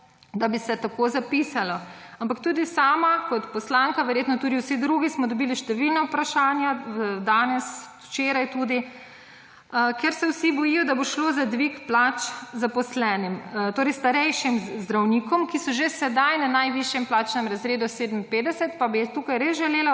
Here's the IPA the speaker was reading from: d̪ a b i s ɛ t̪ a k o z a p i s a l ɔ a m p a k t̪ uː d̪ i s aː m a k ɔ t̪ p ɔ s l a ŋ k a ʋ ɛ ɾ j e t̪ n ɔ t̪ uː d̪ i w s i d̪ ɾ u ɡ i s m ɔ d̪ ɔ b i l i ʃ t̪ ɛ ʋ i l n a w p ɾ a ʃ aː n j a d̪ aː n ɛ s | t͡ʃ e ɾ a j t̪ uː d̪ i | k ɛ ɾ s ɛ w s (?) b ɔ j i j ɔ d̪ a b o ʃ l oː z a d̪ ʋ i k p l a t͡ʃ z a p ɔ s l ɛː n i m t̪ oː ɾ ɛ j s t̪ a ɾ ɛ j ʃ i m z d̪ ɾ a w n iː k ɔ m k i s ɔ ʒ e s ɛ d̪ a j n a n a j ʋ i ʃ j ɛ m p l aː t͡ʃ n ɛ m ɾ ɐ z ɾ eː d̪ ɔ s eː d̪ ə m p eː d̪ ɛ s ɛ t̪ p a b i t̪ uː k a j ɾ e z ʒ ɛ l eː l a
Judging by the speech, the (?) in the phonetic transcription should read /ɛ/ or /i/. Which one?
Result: i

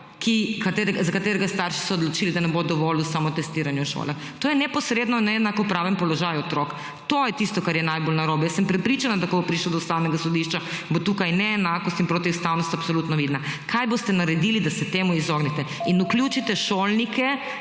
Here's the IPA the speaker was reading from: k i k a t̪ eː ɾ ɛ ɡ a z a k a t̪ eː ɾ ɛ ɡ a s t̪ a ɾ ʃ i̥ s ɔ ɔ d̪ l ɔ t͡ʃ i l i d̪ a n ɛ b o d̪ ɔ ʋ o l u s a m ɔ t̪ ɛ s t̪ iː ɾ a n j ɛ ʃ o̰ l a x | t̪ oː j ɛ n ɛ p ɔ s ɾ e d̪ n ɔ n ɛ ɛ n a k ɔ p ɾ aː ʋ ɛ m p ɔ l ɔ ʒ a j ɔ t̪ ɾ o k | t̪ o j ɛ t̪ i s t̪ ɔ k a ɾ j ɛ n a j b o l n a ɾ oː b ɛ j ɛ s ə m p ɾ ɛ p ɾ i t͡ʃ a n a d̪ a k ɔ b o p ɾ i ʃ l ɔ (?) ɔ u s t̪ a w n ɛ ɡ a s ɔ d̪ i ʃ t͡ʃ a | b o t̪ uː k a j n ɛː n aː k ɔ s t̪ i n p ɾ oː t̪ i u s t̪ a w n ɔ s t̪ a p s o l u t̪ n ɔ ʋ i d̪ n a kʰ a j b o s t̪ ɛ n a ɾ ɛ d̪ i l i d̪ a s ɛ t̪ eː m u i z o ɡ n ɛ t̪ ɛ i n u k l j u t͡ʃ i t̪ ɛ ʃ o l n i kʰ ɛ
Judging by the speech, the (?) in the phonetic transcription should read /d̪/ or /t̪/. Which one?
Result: d̪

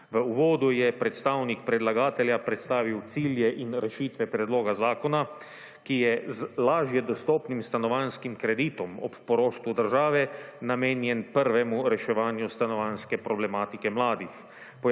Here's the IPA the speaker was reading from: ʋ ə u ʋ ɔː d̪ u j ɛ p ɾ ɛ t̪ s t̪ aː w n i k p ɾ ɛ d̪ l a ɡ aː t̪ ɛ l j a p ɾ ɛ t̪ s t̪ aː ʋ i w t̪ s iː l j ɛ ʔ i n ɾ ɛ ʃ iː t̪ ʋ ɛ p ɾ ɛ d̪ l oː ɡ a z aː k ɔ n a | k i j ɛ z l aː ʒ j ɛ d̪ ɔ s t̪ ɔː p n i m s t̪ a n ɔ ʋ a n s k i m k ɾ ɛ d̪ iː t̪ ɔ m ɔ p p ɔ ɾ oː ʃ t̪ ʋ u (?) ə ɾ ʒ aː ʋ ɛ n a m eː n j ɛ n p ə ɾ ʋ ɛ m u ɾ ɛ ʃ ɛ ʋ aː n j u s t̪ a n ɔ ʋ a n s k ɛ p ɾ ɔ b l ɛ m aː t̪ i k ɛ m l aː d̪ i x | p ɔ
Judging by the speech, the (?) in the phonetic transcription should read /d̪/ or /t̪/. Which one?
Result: d̪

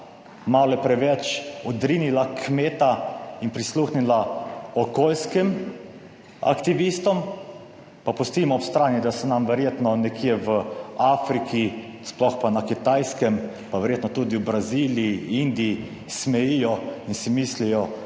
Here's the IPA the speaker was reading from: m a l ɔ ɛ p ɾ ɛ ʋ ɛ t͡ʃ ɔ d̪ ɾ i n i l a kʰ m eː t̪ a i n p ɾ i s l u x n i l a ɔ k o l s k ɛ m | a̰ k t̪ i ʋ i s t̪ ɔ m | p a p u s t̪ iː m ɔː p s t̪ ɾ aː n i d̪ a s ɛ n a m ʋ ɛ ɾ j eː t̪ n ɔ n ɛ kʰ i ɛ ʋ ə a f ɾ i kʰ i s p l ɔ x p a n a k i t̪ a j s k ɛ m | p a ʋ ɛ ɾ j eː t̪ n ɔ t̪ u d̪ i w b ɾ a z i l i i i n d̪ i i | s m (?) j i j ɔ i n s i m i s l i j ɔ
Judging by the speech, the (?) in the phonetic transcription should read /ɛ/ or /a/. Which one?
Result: ɛ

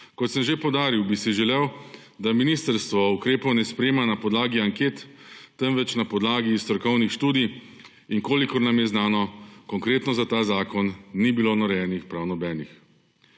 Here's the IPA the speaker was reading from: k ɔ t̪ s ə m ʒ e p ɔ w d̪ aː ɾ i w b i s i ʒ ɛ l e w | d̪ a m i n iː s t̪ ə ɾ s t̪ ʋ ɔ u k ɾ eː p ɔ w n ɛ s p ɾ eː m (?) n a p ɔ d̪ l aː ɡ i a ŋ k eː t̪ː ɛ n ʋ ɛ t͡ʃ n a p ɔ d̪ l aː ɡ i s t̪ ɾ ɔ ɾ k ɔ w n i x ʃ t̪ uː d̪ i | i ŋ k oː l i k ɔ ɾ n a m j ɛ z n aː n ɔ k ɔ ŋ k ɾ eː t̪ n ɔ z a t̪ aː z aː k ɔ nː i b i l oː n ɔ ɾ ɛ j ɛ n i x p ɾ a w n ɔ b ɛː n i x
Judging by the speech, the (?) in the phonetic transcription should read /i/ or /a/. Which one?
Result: a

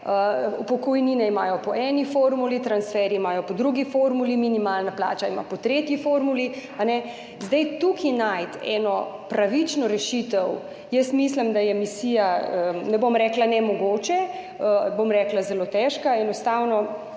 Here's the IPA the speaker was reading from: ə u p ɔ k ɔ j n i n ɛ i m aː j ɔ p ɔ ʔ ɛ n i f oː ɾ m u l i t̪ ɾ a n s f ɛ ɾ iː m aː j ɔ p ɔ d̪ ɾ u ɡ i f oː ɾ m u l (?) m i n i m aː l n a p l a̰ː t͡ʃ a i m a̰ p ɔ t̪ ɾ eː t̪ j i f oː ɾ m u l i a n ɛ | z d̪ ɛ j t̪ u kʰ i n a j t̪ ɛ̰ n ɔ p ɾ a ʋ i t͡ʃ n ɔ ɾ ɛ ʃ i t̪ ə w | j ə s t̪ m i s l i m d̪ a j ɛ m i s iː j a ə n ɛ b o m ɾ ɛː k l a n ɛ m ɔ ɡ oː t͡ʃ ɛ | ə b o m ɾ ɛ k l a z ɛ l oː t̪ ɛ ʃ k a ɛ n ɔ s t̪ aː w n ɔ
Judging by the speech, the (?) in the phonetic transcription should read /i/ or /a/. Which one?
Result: i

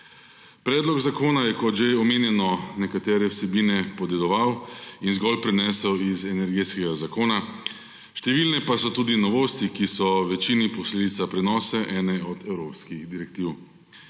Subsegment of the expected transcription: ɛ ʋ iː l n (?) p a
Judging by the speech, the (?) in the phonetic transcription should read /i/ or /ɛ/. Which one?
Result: ɛ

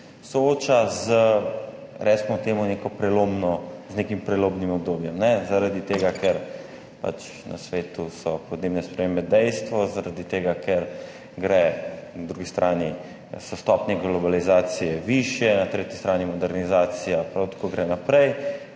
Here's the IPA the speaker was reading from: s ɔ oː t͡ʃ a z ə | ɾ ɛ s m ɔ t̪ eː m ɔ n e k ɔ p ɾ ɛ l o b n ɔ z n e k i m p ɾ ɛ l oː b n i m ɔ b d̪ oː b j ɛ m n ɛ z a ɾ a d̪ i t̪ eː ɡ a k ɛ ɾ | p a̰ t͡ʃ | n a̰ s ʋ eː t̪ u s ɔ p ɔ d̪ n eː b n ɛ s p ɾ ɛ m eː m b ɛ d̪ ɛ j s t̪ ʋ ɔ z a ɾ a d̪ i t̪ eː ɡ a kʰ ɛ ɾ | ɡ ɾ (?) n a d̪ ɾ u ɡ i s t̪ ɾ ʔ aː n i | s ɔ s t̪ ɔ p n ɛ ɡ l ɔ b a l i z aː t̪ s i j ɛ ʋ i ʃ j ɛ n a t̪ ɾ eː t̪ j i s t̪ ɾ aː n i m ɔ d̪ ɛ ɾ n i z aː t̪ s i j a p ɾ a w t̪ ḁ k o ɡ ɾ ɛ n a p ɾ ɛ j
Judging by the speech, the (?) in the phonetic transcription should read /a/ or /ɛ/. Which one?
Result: ɛ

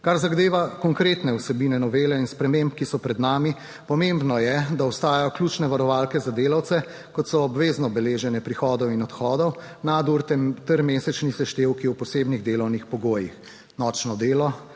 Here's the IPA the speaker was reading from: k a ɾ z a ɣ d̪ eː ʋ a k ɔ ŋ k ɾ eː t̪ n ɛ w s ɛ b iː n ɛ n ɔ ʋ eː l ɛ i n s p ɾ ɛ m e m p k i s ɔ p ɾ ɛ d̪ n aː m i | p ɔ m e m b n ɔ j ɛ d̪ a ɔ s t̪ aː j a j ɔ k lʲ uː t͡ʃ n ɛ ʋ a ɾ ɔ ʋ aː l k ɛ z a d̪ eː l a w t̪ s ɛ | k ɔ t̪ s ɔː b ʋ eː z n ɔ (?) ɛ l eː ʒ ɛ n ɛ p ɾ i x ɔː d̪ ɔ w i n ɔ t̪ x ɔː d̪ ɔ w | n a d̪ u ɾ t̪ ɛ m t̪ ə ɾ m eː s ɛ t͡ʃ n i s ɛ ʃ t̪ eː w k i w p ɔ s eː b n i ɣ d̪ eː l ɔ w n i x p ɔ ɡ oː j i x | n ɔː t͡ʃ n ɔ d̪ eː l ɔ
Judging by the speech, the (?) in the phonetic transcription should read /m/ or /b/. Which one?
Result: b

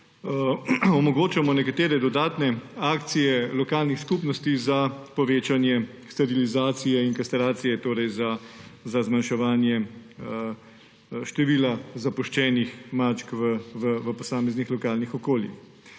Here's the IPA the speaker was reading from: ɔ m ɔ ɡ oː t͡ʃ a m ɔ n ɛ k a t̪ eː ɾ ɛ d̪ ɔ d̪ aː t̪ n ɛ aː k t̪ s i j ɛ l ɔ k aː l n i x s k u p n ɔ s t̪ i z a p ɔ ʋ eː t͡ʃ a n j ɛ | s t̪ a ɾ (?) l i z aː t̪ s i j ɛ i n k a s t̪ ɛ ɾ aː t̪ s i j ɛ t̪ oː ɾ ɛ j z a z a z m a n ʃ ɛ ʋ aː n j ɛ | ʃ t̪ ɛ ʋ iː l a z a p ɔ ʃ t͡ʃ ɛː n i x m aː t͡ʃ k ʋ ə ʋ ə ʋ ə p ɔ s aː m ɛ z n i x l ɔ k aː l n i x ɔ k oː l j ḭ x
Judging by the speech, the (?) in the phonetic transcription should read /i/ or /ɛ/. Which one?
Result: i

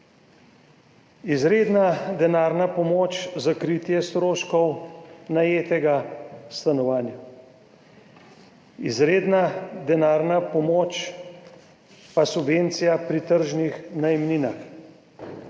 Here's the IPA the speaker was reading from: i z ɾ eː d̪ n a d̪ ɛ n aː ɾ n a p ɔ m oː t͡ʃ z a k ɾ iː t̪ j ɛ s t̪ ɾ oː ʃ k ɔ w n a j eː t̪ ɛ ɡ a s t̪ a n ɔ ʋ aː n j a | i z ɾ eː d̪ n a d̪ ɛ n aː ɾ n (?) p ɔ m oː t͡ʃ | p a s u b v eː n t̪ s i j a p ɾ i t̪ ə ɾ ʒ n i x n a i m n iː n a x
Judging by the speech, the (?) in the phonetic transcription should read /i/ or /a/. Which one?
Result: a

